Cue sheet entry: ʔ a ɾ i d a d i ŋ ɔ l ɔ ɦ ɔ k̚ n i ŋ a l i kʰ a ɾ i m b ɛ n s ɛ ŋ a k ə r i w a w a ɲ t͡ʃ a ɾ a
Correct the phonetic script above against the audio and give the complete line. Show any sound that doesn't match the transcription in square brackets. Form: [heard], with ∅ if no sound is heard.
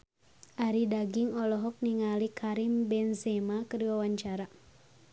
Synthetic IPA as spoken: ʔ a ɾ i d a [ɡ] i ŋ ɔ l ɔ ɦ ɔ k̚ n i ŋ a l i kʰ a ɾ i m b ɛ n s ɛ [m] a k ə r i w a w a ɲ t͡ʃ a ɾ a